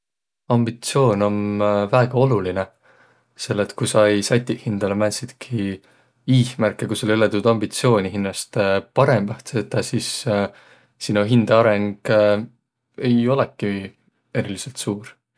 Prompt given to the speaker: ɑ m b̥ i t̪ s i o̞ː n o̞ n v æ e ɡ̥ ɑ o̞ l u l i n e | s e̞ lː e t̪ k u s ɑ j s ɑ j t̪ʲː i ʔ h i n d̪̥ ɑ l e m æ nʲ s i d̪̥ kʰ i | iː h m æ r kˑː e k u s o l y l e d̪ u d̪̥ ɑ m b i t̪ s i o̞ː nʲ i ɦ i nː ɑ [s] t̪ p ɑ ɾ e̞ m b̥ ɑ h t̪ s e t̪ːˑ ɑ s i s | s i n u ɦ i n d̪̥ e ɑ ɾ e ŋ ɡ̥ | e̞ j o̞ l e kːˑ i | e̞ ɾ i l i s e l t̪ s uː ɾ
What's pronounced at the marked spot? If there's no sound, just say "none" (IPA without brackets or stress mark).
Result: s